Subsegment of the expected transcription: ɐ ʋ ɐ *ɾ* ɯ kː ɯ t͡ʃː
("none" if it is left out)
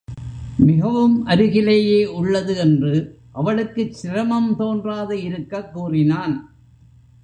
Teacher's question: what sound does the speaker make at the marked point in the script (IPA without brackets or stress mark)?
ɭ